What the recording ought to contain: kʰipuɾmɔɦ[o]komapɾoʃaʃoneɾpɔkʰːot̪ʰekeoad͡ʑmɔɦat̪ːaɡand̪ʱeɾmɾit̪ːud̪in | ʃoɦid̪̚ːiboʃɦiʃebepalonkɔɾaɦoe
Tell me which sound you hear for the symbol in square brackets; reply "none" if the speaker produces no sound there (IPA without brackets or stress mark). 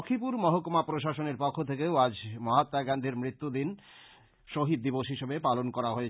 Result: o